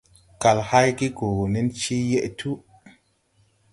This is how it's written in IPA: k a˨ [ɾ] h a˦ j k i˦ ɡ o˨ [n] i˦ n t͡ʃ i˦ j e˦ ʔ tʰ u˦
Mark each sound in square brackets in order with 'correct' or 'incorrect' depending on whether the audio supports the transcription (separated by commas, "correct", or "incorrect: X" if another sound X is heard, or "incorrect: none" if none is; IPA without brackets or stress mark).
incorrect: l, correct